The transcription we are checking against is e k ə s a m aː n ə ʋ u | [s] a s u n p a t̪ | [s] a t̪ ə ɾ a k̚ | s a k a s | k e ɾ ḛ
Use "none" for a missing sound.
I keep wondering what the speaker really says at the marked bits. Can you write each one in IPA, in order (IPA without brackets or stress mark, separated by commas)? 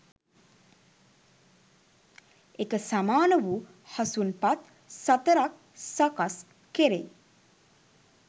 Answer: h, s